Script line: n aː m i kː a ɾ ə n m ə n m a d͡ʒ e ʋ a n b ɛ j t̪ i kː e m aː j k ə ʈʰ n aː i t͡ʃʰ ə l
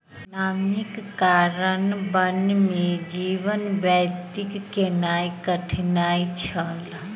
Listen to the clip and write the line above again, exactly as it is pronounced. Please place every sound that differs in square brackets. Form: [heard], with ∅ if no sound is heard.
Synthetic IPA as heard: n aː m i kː a ɾ ə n [b] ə n m [e] d͡ʒ [i] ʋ [ə] n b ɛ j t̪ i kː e [n] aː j k ə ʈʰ n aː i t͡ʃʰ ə l